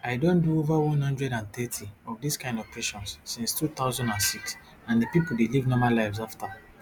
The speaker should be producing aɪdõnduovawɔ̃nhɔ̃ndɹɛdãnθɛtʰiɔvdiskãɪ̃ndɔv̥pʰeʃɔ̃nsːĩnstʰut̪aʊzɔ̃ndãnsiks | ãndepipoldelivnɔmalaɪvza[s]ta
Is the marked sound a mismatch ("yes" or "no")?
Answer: yes